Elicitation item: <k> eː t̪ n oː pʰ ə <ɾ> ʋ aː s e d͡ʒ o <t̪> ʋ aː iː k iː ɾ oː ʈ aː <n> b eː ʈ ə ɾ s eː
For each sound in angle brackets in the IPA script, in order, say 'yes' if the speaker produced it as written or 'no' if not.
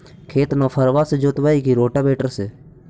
no, yes, yes, no

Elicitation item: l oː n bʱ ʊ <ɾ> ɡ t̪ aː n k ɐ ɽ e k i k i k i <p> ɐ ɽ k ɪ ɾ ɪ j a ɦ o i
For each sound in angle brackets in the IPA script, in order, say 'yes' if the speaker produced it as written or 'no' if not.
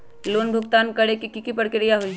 no, yes

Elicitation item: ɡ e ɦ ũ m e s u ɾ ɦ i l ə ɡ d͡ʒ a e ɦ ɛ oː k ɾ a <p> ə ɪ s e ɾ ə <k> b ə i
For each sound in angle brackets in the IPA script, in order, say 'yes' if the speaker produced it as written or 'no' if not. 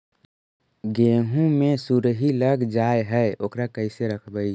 no, no

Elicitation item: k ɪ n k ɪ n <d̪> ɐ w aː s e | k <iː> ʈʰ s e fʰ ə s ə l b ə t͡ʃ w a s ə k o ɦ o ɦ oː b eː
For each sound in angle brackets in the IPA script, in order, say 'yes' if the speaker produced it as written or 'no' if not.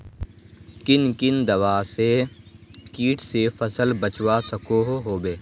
yes, yes

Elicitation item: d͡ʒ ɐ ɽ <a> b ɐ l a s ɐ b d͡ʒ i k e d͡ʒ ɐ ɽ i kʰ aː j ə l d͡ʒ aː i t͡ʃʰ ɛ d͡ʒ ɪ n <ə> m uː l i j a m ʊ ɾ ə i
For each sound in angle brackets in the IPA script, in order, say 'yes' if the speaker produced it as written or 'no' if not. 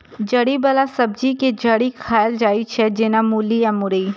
no, no

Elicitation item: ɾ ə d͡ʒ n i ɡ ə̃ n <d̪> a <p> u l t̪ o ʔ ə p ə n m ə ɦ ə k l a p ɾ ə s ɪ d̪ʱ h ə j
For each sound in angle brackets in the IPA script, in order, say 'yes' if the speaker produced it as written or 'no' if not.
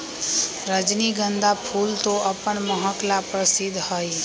yes, no

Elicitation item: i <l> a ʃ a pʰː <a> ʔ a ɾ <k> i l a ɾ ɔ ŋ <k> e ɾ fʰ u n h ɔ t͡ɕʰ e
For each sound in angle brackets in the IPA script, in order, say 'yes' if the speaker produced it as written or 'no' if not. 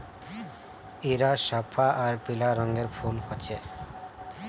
no, yes, no, no

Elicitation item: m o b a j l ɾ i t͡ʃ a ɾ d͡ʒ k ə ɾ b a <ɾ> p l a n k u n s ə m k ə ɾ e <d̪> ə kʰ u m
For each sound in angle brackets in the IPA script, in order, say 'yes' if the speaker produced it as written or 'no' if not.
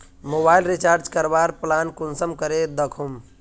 yes, yes

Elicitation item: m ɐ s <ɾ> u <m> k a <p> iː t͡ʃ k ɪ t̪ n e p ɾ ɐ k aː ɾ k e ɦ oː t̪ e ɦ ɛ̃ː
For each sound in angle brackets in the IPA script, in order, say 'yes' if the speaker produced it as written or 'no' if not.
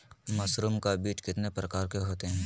yes, yes, no

